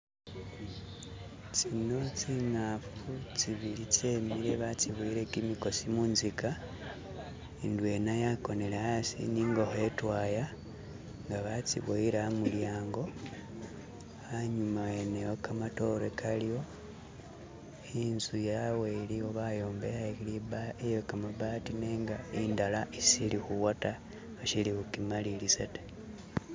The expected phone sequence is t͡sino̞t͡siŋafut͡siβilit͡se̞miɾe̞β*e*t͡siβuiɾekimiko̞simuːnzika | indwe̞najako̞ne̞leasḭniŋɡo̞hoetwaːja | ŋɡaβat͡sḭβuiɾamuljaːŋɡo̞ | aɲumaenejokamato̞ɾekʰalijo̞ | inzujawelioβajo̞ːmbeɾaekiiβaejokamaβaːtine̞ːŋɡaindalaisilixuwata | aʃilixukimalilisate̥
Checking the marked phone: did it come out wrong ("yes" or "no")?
yes